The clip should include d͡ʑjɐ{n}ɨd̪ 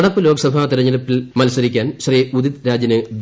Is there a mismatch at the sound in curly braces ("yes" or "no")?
no